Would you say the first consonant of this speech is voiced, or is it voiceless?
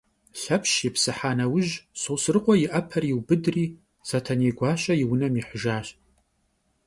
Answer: voiceless